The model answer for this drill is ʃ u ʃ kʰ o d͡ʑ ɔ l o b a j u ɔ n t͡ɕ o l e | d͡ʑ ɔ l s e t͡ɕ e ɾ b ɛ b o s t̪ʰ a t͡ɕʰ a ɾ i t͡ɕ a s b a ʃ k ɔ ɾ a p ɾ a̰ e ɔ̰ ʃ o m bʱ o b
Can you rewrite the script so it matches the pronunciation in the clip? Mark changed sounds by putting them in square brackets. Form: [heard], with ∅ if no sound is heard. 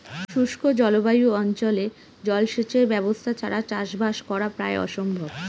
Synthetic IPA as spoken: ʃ u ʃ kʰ o d͡ʑ ɔ l o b a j u ɔ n t͡ɕ o l e | d͡ʑ ɔ l [ʃ] e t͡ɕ e ɾ b ɛ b o s t̪ʰ a t͡ɕʰ a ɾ [a] t͡ɕ a [ʃ] b a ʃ k ɔ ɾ a p ɾ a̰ e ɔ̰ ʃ o m bʱ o b